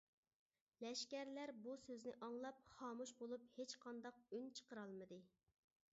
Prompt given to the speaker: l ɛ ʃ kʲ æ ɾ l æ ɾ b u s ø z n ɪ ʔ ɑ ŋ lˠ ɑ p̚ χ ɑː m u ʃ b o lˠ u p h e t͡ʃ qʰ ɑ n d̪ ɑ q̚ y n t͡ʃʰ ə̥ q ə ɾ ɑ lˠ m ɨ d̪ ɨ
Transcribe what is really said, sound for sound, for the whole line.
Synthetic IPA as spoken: l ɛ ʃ kʲ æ ɾ l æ ɾ b u s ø z n ɪ ʔ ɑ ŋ lˠ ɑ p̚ χ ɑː m u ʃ b o lˠ u p h e t͡ʃ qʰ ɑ n d̪ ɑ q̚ y n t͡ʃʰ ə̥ q ə ɾ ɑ lˠ m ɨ d̪ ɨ